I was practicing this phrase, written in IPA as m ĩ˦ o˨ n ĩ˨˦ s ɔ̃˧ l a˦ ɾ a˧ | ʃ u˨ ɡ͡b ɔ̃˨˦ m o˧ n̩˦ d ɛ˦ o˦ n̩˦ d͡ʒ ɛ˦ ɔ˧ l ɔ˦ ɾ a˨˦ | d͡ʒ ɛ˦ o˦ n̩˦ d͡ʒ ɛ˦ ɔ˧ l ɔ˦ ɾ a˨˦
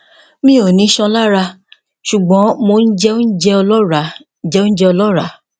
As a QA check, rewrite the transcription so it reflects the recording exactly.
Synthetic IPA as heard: m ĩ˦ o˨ n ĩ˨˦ ʃ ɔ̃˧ l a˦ ɾ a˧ | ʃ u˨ ɡ͡b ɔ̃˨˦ m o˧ n̩˦ d͡ʒ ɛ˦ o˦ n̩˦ d͡ʒ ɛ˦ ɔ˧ l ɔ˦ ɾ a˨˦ | d͡ʒ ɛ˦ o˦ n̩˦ d͡ʒ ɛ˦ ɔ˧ l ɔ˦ ɾ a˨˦